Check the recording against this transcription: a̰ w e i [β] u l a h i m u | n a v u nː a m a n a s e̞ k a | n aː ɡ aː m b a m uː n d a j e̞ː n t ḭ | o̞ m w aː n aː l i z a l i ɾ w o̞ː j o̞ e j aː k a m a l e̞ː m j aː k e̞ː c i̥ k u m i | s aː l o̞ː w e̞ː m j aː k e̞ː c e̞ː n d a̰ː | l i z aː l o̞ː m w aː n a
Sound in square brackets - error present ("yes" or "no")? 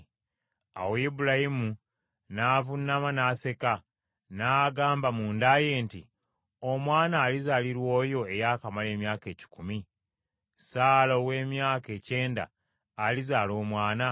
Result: yes